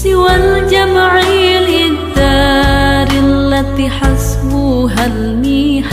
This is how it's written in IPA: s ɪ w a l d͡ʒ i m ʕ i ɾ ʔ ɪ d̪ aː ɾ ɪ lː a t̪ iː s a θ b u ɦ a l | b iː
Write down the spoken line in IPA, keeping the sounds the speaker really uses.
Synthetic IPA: s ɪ w a l d͡ʒ a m ʕ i l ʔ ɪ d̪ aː ɾ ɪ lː a t̪ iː ħ a s b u ɦ a l | m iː